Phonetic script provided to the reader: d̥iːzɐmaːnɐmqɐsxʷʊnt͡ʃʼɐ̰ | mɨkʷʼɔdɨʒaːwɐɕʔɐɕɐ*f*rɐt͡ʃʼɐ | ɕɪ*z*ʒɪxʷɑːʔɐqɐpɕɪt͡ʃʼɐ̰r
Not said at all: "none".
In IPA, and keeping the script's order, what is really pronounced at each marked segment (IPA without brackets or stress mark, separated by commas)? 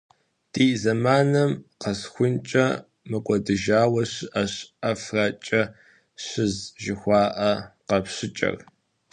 f, z